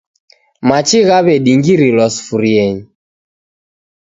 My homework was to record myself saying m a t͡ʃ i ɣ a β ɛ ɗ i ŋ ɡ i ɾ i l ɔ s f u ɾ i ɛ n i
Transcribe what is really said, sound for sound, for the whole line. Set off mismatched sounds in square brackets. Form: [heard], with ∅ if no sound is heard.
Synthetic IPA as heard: m a t͡ʃ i ɣ a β ɛ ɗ i ŋ ɡ i ɾ i l ɔ s f u ɾ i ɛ [ɲ] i